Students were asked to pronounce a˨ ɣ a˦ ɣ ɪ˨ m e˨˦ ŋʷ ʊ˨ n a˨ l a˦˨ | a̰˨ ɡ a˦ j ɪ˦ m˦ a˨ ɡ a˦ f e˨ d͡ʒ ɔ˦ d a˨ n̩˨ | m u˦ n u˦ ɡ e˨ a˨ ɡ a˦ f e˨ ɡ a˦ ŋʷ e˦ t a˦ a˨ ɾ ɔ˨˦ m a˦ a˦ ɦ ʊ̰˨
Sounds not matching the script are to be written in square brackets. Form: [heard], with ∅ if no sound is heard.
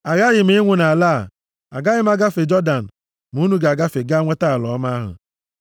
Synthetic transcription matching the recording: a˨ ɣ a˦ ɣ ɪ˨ m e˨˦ ŋʷ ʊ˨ n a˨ l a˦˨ | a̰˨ ɡ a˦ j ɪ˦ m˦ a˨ ɡ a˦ f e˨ d͡ʒ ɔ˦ d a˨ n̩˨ | m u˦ n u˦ ɡ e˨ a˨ ɡ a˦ f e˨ ɡ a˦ ŋʷ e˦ t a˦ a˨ [l] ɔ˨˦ m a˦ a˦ ɦ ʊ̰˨